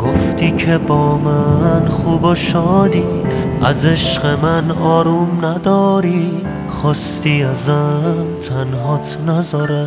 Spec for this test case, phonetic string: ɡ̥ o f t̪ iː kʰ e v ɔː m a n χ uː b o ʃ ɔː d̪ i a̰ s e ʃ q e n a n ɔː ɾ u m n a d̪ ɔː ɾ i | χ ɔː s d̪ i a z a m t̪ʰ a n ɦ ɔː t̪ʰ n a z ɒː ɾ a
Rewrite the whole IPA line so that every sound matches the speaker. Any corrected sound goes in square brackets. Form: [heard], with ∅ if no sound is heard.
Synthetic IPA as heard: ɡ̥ o f t̪ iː kʰ e [b] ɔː m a n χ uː b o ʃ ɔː d̪ i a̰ [z] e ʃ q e [m] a n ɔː ɾ u m n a d̪ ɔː ɾ i | χ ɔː s [t̪] i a z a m t̪ʰ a n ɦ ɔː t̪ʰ n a z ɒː ɾ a